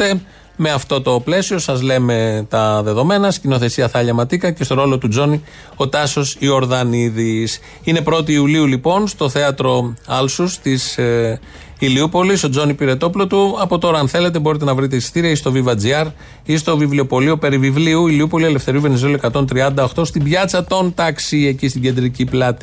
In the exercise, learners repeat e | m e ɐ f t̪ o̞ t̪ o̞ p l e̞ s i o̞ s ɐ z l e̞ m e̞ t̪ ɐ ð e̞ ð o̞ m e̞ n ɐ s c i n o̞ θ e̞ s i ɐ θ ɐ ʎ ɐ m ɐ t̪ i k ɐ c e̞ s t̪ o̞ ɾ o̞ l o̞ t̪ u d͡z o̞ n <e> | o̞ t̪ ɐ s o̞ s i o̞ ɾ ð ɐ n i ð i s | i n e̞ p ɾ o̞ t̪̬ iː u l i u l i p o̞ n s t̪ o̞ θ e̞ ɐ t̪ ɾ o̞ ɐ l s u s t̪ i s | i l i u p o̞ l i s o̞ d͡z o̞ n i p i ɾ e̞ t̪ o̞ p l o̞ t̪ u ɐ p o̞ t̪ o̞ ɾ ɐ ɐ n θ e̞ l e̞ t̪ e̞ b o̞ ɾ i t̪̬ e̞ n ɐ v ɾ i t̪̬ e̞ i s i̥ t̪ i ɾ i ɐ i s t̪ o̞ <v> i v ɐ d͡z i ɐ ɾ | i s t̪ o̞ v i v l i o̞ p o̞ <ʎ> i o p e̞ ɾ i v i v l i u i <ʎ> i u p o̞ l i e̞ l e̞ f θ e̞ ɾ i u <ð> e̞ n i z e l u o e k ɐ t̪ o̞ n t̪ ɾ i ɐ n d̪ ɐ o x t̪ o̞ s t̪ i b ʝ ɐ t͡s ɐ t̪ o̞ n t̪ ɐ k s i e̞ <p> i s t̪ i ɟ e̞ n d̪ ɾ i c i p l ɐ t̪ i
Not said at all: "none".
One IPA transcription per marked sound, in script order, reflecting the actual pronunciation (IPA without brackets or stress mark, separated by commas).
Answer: i, v, l, l, v, c